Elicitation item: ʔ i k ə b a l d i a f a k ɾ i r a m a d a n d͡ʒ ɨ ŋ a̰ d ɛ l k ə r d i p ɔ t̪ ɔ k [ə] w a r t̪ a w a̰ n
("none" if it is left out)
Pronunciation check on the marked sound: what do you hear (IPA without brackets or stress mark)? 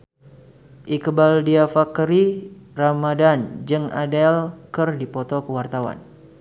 ə